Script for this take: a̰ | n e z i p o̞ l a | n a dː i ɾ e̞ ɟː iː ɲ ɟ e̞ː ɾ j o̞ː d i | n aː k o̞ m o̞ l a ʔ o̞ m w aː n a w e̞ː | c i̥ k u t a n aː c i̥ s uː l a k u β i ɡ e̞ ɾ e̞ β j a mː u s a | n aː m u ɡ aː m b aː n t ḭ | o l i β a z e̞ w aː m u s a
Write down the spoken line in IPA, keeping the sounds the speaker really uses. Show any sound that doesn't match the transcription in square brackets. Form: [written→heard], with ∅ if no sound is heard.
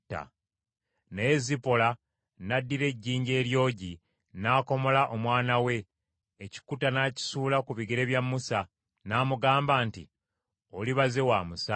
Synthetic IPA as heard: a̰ | n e z i p o̞ l a | n a dː i ɾ e̞ ɟː iː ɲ ɟ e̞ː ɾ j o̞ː [d→ɟ] i | n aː k o̞ m o̞ l a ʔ o̞ m w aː n a w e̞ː | c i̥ k u t a n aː c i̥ s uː l a k u β i ɡ e̞ ɾ e̞ β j a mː u s a | n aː m u ɡ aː m b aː n t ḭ | o l i β a z e̞ w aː m u s a